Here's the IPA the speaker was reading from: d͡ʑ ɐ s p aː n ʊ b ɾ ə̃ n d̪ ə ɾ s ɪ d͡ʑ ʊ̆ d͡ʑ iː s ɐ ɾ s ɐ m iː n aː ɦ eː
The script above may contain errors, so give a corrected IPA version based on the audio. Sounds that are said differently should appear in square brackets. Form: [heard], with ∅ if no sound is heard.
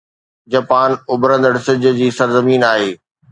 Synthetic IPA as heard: d͡ʑ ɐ [∅] p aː n ʊ b ɾ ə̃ n d̪ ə [ɽ] s ɪ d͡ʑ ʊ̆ d͡ʑ iː s ɐ ɾ [z] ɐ m iː n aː ɦ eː